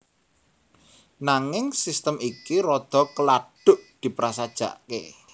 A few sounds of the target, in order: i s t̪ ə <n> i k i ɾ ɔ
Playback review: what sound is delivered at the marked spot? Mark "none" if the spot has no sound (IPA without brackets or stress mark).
m